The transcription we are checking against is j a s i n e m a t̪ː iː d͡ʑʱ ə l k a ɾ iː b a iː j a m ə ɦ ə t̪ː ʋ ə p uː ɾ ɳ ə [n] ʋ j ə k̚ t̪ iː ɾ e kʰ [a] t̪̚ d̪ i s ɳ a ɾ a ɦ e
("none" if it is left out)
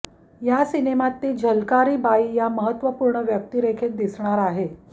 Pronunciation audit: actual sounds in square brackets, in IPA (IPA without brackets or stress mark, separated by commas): none, e